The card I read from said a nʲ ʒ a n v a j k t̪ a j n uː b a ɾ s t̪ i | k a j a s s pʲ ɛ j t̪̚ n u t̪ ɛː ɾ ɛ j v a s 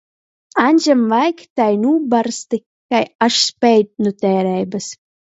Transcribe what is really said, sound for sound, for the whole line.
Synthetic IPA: a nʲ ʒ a m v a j k t̪ a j n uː b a ɾ s t̪ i | k a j a ʃ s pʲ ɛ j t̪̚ n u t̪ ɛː ɾ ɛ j b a s

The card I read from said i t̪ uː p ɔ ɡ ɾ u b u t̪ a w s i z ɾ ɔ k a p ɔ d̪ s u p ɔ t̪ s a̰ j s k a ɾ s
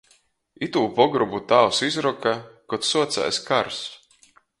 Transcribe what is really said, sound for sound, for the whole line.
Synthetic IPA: i t̪ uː p ɔ ɡ ɾ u b u t̪ a w s i z ɾ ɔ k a k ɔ t̪ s u ɔ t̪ s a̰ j s k a ɾ s

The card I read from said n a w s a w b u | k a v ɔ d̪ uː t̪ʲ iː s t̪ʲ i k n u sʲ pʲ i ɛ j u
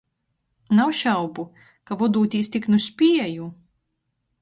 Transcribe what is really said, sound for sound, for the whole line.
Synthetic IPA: n a w ʃ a w b u | k a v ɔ d̪ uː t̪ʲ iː s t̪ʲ i k n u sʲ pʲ i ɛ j u

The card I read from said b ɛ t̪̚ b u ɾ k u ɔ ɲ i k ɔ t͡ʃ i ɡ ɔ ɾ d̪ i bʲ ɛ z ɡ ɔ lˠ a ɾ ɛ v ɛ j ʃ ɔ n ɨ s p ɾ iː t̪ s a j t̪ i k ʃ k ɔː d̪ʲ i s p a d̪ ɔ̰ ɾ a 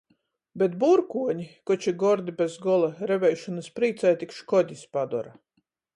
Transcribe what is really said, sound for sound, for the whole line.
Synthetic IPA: b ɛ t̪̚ b u ɾ k u ɔ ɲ i k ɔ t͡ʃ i ɡ ɔ ɾ d̪ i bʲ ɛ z ɡ ɔ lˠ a ɾ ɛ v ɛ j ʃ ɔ n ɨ s p ɾ iː t̪ s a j t̪ i k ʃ k ɔ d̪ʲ i s p a d̪ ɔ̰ ɾ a

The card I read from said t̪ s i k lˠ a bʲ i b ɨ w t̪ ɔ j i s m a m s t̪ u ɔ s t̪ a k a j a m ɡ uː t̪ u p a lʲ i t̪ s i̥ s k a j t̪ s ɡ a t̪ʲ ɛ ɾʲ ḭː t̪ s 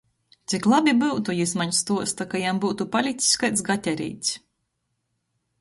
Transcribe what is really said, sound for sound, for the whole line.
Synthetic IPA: t̪ s i k lˠ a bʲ i b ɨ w t̪ u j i s m a ɲ s t̪ u ɔ s t̪ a k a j a m b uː t̪ u p a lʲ i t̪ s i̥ s k a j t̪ s ɡ a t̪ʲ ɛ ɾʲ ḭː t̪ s

